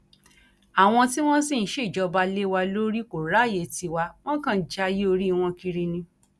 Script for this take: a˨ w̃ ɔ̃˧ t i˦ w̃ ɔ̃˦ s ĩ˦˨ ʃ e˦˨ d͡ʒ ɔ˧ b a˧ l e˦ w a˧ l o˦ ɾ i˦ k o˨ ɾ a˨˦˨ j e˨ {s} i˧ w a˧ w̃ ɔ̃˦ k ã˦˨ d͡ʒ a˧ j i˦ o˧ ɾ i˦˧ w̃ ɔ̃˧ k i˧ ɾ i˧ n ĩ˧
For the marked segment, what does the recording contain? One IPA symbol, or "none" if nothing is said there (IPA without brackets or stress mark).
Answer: t